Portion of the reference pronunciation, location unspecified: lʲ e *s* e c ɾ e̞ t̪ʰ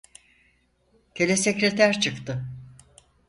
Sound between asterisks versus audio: correct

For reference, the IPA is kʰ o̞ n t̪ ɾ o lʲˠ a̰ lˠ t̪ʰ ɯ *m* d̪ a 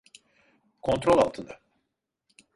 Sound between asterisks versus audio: incorrect: n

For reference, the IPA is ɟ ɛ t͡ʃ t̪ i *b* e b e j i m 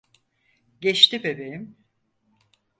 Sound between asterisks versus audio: correct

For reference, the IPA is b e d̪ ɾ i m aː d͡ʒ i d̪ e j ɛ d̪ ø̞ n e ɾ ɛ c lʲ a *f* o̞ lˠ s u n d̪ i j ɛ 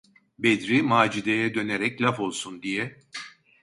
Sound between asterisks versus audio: correct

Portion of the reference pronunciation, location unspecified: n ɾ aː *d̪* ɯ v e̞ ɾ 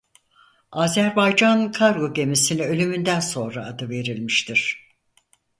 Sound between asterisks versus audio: correct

